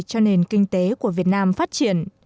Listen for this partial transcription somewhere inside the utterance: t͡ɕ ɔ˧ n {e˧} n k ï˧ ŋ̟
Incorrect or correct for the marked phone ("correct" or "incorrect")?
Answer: incorrect